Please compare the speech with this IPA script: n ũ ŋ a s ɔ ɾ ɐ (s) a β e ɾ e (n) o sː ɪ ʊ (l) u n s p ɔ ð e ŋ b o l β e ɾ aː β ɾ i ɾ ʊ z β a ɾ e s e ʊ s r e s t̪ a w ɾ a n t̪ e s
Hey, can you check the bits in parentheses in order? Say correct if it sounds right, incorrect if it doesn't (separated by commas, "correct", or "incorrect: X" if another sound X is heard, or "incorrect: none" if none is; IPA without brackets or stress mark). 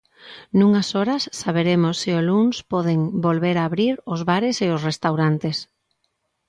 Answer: incorrect: sː, incorrect: m, correct